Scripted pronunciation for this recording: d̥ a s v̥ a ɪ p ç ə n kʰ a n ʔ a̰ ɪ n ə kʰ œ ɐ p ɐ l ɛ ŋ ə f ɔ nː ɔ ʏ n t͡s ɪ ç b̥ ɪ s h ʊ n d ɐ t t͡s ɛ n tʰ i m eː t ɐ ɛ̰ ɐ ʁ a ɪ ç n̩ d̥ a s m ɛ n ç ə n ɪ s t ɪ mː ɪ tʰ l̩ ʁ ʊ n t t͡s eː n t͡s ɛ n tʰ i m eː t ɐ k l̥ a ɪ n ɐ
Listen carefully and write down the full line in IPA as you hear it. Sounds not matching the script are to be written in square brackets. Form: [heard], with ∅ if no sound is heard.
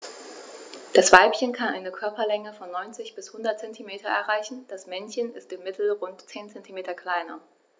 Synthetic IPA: d̥ a s v̥ a ɪ p ç ə n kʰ a n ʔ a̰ ɪ n ə kʰ œ ɐ p ɐ l ɛ ŋ ə f ɔ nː ɔ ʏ n t͡s ɪ ç b̥ ɪ s h ʊ n d ɐ t t͡s ɛ n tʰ i m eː t ɐ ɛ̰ ɐ ʁ a ɪ ç n̩ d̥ a s m ɛ n ç ə n ɪ s t ɪ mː ɪ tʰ l̩ ʁ ʊ n t t͡s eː n t͡s ɛ n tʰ i m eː t ɐ k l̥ a ɪ n ɐ